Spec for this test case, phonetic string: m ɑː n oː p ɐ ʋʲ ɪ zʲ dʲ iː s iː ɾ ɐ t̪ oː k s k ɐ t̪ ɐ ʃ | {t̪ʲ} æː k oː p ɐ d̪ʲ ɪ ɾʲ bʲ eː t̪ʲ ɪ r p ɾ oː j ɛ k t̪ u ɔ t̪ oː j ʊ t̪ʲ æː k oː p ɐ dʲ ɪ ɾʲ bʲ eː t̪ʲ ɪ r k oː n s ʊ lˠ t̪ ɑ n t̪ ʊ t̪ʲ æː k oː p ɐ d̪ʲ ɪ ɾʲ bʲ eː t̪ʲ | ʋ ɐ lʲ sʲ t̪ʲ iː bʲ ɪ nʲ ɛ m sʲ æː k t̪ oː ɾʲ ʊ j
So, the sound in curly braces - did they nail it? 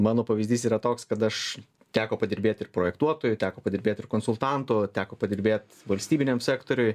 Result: yes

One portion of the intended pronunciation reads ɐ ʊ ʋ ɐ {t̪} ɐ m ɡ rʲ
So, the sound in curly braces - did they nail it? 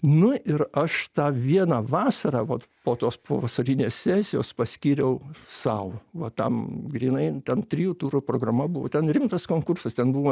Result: yes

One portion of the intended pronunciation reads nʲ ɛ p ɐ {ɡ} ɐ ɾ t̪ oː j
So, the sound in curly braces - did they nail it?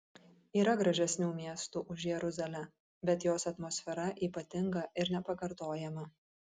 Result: no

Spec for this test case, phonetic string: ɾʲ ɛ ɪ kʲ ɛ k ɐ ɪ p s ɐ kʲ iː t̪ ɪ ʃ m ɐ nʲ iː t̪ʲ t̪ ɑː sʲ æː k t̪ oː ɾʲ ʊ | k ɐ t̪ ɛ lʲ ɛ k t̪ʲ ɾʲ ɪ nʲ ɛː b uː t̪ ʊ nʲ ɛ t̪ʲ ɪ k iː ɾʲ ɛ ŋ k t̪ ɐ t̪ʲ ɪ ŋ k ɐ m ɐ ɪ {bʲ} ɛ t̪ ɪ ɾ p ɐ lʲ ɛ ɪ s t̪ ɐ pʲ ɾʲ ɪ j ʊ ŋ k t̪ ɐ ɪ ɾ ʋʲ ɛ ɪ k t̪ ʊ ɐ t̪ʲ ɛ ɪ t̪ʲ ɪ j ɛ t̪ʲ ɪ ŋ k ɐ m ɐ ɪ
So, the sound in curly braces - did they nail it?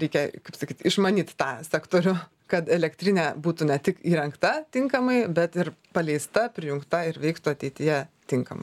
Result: yes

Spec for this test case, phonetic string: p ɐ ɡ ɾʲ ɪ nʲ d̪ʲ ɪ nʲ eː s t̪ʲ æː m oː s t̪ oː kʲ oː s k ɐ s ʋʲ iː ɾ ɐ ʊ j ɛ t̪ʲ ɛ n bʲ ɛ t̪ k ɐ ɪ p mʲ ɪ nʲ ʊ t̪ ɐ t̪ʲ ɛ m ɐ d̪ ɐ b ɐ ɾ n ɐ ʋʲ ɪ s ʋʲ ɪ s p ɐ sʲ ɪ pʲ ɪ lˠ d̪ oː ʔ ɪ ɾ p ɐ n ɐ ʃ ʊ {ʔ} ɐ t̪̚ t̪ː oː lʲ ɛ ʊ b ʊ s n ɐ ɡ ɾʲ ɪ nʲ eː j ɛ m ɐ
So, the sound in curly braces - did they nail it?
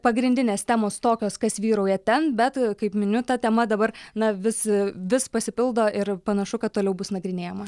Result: no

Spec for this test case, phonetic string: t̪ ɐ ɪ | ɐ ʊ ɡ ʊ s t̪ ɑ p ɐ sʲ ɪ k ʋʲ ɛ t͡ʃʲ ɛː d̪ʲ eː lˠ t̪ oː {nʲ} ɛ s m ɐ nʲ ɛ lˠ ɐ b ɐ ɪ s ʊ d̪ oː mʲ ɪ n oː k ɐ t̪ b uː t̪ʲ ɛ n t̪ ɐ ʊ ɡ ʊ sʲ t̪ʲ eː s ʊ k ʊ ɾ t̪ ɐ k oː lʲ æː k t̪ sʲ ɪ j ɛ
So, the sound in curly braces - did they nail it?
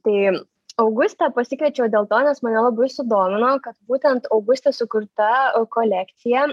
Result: yes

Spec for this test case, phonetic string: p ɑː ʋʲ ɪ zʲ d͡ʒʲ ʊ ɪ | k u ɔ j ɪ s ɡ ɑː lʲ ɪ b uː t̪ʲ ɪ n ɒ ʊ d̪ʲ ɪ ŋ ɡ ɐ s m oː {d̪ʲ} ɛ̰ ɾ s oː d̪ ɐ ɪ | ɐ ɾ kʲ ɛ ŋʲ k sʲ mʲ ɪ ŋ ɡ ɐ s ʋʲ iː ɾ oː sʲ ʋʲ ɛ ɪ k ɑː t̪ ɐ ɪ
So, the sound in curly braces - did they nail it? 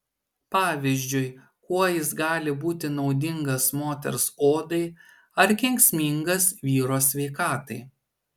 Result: no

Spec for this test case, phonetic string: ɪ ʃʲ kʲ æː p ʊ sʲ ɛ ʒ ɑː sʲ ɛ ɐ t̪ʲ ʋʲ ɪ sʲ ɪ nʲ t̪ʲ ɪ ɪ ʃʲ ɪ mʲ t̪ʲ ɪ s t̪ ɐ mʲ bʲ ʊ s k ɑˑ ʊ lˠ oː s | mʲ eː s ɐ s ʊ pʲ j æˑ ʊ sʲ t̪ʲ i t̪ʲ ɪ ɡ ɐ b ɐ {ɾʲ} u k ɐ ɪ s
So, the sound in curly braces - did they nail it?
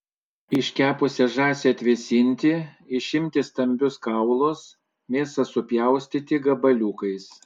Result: no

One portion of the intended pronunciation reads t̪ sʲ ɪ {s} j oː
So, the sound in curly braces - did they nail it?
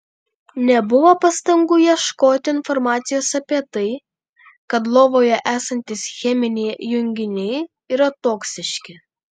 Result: no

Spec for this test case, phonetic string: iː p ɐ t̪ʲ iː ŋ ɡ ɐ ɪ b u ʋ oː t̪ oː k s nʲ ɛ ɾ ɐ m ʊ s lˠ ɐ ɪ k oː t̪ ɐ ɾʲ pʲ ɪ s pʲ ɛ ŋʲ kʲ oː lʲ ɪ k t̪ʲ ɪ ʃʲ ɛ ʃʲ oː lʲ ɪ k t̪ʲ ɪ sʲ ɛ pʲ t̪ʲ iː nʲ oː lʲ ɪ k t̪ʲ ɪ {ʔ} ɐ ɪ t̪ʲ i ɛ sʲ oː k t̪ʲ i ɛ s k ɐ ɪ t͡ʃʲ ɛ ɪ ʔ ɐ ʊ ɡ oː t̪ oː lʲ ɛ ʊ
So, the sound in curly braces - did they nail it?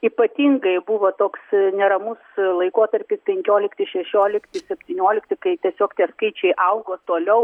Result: no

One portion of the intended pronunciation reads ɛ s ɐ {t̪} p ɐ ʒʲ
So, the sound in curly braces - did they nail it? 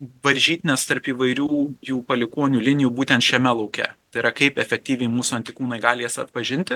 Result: yes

